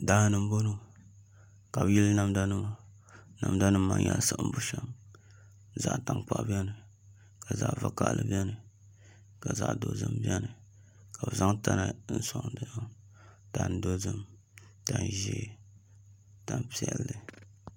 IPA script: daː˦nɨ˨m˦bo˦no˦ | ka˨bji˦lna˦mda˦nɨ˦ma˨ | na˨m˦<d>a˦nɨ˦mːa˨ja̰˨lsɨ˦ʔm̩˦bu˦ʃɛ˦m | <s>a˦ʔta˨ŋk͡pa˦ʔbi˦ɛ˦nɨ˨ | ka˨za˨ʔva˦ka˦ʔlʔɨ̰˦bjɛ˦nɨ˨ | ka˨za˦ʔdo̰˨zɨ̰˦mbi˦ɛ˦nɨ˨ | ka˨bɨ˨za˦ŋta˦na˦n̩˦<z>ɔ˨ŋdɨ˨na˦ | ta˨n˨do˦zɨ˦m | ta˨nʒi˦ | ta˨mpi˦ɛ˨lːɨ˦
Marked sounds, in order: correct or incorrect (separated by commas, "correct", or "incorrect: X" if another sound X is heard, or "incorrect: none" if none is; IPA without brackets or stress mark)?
correct, incorrect: z, incorrect: s